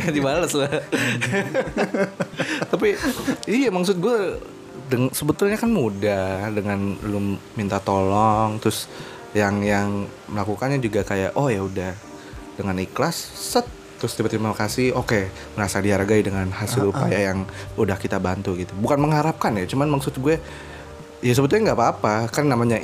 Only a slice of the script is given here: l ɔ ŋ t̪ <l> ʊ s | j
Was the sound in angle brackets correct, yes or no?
no